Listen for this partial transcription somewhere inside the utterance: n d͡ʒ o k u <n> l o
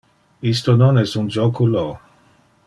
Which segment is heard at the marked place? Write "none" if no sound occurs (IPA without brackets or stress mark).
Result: none